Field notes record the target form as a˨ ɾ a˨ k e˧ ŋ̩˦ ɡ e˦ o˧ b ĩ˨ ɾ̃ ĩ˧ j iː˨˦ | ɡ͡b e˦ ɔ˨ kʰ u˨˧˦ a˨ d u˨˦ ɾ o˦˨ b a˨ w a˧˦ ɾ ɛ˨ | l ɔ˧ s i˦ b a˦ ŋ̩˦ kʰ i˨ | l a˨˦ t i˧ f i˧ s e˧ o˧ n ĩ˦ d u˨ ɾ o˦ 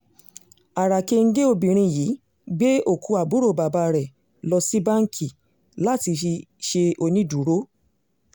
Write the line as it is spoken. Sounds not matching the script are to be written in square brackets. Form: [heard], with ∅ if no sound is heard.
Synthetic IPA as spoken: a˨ ɾ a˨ k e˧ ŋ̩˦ ɡ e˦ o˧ b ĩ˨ ɾ̃ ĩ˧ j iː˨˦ | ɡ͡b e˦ [o˨] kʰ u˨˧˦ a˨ [b] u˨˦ ɾ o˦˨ b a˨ [b] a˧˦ ɾ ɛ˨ | l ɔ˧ s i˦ b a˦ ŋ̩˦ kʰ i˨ | l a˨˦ t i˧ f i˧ [ʃ] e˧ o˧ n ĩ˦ d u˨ ɾ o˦